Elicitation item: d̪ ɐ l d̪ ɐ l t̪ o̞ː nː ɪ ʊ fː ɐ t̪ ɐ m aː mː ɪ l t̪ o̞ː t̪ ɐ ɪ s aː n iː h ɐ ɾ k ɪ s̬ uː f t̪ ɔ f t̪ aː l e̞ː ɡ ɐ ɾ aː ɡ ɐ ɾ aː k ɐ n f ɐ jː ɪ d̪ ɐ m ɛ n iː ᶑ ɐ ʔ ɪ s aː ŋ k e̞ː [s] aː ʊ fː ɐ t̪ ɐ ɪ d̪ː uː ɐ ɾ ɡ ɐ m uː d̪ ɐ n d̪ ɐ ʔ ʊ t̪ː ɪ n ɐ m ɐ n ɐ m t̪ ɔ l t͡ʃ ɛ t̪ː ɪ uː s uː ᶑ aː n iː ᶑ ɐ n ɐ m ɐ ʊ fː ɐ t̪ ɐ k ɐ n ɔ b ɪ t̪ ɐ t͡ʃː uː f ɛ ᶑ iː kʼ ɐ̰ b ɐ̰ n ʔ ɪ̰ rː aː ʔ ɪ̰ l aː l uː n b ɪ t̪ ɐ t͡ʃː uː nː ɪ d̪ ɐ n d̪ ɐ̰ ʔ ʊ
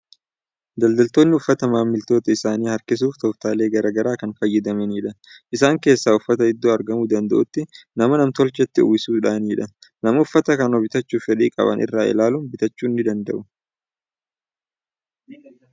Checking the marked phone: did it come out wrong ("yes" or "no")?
yes